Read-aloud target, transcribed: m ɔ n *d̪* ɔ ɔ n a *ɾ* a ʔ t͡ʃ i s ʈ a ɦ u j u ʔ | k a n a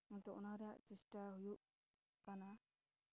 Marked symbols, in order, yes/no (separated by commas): no, yes